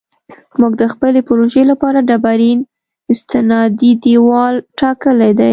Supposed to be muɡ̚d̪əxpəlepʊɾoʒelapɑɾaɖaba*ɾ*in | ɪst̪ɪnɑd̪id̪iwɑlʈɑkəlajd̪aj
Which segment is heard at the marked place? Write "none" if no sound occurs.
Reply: ɾ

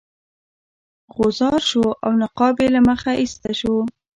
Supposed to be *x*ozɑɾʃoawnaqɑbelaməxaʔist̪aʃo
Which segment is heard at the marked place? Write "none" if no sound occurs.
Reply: ɣ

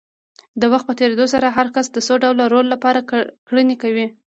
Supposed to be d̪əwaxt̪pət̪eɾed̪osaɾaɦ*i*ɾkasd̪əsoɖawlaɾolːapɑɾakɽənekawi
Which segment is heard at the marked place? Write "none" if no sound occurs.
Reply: a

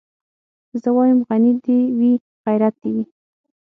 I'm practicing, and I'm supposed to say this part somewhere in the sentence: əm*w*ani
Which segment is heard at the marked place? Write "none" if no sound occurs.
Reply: ɣ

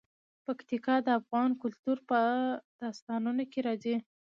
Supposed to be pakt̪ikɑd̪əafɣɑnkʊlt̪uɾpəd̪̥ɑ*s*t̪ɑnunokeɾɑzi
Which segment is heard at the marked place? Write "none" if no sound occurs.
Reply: s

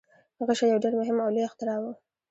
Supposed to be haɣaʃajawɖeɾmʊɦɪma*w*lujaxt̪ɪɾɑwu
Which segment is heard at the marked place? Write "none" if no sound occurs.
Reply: w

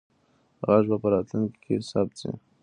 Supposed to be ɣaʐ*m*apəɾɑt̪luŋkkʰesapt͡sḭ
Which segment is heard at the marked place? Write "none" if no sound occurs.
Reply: b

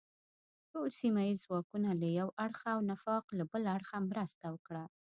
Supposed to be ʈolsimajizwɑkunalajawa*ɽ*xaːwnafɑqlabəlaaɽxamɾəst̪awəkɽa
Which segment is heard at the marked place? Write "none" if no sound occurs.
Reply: ɽ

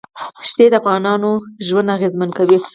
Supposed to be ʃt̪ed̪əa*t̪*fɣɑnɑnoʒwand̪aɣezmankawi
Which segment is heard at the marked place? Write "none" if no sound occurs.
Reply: none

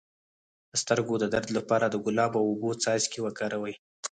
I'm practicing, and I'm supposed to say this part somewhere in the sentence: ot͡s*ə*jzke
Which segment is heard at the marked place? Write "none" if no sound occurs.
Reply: ɑ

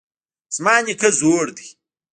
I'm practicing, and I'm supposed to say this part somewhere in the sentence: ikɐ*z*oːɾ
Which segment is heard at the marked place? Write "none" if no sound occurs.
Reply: z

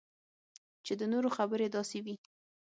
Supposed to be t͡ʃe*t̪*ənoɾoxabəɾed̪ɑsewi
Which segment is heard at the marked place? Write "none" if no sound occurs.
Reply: d̪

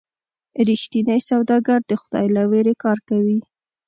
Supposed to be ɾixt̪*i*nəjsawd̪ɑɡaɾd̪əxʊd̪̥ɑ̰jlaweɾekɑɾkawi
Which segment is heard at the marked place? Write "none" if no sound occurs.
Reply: i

